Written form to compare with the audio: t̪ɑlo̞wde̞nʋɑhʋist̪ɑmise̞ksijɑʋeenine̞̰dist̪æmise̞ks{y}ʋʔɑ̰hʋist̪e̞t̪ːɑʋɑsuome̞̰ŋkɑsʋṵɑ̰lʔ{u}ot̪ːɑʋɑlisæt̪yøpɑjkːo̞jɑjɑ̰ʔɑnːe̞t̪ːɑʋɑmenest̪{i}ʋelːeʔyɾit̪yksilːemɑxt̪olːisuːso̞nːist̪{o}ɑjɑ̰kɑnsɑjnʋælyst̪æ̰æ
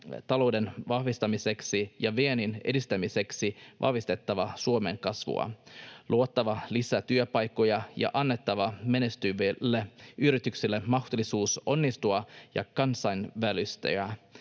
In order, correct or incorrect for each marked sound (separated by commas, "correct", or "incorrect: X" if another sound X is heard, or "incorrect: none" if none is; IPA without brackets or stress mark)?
incorrect: i, correct, incorrect: y, incorrect: u